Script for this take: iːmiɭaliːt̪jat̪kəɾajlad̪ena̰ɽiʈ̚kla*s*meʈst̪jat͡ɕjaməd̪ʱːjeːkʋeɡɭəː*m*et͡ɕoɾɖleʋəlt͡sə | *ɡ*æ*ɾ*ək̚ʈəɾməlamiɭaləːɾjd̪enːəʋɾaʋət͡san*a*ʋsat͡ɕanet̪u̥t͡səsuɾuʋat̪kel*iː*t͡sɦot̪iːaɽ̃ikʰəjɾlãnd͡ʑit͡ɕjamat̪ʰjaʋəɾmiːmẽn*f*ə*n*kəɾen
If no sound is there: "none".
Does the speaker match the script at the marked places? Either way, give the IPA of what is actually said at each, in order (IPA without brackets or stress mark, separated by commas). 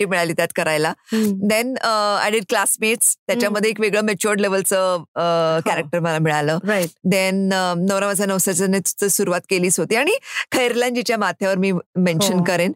s, m, k, ɾ, ə, iː, ɕ, n